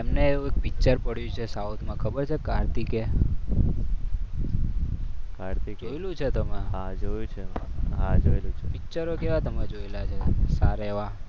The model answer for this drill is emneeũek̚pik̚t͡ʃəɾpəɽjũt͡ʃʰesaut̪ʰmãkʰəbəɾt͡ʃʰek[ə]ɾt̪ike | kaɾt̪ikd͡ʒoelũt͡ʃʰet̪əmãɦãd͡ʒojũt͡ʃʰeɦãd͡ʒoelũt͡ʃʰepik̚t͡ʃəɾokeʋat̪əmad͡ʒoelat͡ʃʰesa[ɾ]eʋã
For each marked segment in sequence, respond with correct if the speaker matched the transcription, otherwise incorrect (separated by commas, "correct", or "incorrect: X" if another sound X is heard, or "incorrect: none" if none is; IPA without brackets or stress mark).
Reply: incorrect: a, correct